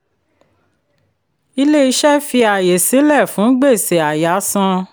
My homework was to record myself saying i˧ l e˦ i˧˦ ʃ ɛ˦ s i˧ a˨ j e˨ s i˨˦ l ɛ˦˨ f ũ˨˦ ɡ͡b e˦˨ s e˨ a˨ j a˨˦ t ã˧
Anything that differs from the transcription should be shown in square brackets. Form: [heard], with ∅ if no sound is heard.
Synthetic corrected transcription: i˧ l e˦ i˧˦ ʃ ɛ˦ [f] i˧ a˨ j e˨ s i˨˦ l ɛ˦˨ f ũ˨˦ ɡ͡b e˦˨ s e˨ a˨ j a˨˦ [s] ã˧